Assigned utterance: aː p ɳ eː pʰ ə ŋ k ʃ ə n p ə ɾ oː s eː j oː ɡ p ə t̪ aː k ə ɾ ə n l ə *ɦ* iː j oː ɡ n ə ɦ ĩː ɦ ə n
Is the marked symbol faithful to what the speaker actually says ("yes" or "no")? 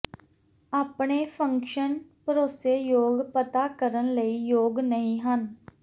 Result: no